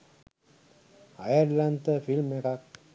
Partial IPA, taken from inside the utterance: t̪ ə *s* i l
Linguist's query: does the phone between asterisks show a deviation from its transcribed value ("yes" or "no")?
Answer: yes